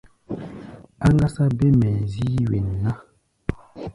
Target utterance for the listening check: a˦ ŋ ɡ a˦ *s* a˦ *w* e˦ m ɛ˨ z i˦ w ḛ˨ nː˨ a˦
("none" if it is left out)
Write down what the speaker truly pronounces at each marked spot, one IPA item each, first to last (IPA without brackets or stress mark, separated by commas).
s, b